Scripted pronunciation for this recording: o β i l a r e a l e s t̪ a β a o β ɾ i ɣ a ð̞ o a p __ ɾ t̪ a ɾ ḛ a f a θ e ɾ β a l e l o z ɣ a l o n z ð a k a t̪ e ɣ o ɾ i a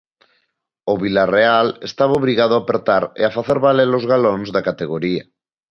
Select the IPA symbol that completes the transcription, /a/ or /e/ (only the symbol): e